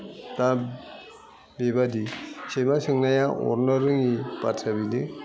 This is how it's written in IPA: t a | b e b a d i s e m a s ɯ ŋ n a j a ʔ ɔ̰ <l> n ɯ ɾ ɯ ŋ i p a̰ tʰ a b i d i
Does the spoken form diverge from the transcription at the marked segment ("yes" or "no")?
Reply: yes